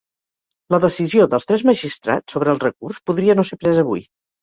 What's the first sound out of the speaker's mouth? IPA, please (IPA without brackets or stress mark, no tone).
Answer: l